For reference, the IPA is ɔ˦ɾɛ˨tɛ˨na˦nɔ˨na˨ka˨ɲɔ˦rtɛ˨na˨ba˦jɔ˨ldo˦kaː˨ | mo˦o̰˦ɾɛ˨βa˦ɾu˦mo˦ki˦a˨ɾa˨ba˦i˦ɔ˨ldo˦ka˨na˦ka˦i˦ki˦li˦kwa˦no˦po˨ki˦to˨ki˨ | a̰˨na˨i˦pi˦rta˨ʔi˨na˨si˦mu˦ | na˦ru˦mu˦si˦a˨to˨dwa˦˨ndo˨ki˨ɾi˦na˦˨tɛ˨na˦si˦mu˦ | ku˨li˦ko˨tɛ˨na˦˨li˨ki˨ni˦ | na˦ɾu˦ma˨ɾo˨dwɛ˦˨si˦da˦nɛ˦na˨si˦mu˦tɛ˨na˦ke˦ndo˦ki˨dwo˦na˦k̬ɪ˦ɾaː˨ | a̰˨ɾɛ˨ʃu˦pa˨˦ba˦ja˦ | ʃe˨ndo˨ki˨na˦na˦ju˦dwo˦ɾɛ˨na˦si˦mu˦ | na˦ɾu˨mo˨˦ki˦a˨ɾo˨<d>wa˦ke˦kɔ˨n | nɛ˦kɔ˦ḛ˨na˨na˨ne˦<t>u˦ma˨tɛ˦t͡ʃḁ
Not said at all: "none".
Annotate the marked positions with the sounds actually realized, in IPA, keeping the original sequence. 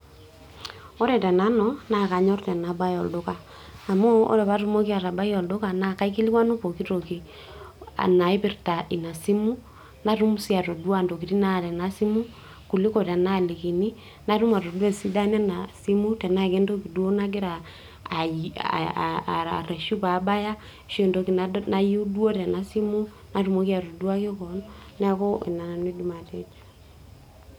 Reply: d, d

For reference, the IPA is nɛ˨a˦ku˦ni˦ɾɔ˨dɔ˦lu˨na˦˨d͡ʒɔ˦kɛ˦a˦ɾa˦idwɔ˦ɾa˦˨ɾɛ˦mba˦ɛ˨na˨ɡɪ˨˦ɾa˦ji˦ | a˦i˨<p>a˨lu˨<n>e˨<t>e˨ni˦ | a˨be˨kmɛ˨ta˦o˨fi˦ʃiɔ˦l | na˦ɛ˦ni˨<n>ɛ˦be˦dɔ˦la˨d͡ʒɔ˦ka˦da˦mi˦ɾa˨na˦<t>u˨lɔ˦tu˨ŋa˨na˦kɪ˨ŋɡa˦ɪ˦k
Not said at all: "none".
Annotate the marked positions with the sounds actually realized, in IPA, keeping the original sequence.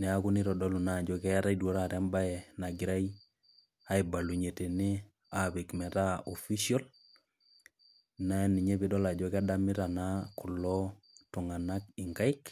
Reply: b, ɲ, t, ɲ, k

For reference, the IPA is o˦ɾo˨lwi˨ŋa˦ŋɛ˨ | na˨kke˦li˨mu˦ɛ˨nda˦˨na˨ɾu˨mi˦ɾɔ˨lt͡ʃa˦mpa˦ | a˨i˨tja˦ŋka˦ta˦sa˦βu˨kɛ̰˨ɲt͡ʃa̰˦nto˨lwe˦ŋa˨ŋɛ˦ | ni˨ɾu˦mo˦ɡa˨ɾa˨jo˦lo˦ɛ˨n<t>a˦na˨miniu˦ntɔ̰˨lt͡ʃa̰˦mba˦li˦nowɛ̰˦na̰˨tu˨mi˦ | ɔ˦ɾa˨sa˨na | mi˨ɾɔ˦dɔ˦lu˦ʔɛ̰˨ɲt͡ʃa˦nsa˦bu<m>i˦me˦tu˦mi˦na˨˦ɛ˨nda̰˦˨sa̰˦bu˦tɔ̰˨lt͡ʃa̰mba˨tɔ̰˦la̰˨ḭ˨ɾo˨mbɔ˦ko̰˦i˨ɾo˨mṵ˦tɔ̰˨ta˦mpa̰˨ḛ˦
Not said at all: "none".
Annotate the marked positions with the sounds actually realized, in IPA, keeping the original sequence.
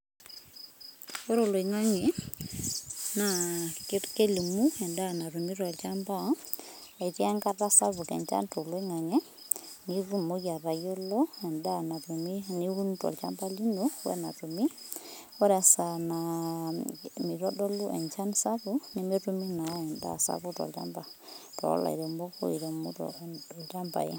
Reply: d, n

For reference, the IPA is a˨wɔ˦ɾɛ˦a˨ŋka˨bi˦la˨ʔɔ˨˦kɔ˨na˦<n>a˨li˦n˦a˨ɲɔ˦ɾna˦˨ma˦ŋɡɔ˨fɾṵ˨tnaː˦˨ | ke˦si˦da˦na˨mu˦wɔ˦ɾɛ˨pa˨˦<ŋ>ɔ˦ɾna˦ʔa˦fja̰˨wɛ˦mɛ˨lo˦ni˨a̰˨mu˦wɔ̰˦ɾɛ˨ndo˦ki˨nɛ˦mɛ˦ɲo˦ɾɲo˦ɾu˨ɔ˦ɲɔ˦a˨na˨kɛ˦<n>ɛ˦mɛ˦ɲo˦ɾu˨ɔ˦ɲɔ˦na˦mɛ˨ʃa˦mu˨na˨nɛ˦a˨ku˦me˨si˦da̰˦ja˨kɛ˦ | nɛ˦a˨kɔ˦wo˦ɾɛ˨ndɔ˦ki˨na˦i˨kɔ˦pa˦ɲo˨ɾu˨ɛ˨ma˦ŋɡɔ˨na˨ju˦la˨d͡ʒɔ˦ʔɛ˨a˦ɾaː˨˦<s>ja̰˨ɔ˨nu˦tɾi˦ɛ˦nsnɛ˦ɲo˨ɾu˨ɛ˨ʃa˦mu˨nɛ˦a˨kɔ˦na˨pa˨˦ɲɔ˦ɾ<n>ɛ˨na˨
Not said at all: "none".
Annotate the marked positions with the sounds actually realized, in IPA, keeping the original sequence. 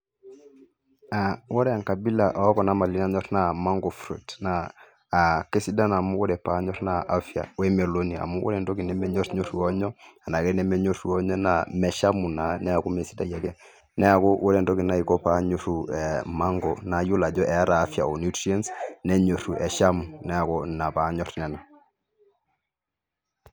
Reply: m, ɲ, n, f, n

